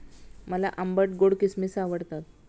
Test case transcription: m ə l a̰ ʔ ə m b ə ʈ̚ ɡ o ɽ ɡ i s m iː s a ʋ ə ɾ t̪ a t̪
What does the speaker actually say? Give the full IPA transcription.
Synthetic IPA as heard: m ə l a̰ ʔ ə m b ə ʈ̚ ɡ o ɽ k i s m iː s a ʋ ə ɽ t̪ a t̪